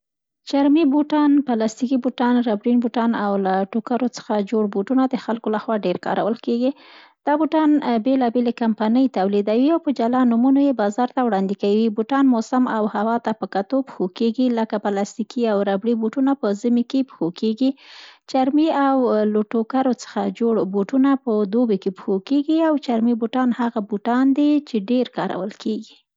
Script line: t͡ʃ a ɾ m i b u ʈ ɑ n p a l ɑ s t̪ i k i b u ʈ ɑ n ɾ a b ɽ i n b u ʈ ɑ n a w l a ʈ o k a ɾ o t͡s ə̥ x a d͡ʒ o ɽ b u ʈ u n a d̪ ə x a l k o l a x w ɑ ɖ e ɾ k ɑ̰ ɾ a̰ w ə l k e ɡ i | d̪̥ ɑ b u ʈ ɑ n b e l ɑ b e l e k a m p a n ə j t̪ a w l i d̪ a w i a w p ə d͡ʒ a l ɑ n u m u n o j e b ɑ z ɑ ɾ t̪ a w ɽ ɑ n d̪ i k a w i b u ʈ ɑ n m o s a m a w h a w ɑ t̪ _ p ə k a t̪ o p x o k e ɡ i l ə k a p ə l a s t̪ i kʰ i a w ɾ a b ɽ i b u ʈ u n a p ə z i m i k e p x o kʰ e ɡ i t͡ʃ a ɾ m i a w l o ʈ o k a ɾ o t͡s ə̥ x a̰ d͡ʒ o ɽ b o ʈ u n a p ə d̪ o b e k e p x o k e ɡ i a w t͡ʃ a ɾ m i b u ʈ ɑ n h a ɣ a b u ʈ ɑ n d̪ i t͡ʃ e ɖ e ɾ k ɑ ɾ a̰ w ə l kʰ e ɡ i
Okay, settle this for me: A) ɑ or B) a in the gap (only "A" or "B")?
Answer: B